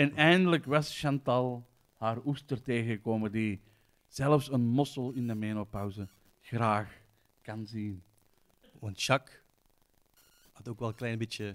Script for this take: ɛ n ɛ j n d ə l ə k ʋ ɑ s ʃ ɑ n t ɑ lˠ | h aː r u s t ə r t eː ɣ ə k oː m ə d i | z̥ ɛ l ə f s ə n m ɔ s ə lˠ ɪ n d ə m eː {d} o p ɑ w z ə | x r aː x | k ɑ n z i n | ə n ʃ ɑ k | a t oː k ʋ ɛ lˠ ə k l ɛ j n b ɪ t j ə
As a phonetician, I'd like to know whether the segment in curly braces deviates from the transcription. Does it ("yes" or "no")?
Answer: yes